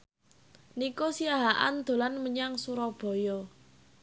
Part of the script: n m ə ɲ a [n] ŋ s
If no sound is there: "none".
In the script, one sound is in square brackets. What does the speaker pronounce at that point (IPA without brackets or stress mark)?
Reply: none